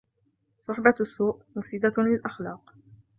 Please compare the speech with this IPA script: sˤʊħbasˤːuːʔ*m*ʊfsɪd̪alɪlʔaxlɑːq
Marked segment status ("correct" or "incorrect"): correct